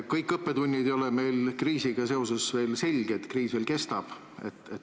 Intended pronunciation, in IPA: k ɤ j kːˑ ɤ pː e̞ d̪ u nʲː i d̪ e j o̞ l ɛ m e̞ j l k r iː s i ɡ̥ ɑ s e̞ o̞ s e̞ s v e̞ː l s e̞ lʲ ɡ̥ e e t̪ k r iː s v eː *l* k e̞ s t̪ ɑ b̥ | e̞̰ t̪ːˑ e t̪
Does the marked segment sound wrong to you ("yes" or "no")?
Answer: no